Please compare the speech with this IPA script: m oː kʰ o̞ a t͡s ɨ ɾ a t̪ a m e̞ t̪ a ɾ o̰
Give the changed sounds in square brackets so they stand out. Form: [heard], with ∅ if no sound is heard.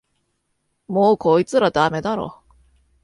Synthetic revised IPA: m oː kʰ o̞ [i] t͡s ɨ ɾ a [d̪] a m e̞ [d̪] a ɾ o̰